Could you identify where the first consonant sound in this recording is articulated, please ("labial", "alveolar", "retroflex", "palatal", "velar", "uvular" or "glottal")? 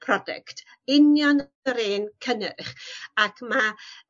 labial